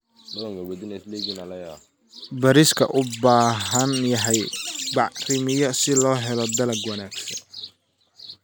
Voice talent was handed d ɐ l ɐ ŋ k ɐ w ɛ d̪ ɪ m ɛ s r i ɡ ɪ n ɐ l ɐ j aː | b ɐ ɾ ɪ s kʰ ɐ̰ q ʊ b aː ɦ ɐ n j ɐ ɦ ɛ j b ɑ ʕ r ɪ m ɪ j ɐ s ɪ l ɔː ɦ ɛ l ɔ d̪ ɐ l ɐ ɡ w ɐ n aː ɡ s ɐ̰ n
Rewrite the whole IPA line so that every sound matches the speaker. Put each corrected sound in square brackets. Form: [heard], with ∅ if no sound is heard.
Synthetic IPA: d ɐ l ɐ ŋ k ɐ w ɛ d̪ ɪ [n] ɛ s [l] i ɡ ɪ n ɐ l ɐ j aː | b ɐ ɾ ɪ s kʰ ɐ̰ [ʔ] ʊ b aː ɦ ɐ n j ɐ ɦ ɛ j b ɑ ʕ r ɪ m ɪ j ɐ s ɪ l ɔː ɦ ɛ l ɔ d̪ ɐ l ɐ ɡ w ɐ n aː ɡ s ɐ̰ n